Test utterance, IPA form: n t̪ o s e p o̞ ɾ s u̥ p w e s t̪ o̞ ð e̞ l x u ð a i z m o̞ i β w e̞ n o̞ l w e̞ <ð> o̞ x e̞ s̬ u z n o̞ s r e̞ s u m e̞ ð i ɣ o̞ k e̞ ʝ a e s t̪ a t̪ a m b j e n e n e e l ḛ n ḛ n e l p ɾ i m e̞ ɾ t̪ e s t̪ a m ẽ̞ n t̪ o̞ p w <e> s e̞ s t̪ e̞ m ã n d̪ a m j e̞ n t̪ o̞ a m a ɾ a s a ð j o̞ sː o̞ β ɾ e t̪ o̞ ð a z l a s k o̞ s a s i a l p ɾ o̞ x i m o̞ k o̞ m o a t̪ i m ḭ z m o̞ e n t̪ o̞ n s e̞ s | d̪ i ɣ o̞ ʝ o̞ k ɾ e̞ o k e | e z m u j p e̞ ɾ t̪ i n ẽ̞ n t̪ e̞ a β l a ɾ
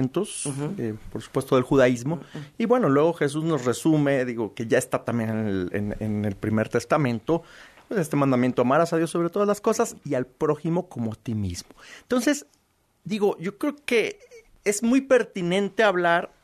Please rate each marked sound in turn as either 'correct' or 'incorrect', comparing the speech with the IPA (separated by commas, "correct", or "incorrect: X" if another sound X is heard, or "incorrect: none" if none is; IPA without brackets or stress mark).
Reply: incorrect: ɣ, correct